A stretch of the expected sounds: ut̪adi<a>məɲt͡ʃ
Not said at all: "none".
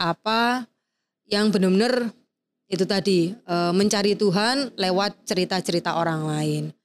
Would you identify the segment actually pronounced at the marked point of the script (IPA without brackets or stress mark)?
ə